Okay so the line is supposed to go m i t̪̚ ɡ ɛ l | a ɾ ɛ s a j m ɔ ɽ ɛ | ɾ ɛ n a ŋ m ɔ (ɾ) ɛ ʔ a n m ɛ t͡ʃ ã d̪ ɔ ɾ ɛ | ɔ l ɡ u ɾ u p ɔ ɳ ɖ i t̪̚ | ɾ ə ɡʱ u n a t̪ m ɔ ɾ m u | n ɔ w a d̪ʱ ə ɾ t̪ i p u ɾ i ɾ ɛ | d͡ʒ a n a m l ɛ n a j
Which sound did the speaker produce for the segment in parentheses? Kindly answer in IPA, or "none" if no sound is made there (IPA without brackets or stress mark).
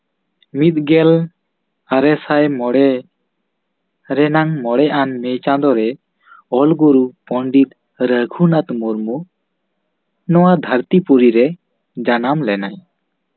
ɽ